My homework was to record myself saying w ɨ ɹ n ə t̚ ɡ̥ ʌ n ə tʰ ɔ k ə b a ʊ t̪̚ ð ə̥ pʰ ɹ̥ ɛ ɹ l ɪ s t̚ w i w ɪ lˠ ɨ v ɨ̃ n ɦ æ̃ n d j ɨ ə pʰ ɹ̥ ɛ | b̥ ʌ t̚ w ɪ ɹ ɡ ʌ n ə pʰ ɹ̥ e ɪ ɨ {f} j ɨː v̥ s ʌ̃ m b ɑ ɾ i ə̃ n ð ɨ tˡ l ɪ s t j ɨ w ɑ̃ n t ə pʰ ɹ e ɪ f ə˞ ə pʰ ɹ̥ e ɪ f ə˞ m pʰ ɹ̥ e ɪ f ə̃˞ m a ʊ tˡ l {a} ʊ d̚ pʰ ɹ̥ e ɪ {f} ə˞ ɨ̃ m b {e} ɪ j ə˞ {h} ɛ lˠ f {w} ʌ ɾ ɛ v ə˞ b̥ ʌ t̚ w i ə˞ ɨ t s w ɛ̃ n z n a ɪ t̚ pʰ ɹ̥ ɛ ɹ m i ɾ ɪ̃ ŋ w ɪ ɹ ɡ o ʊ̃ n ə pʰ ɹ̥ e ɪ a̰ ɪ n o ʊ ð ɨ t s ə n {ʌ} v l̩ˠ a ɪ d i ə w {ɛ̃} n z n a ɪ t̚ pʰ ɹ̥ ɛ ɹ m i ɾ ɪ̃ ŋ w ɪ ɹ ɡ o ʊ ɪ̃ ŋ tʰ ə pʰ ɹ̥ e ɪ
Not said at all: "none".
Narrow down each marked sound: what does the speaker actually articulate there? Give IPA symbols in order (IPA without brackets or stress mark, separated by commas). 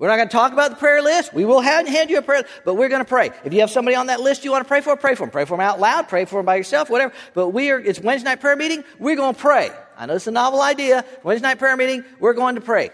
f, a, f, a, s, w, ɑ, ɛ̃